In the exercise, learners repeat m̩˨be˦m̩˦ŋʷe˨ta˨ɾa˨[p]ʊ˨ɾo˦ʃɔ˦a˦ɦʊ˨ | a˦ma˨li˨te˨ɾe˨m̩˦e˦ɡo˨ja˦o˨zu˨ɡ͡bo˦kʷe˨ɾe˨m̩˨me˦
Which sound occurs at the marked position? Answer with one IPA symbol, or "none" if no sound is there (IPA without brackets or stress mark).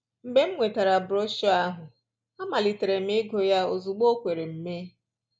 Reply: b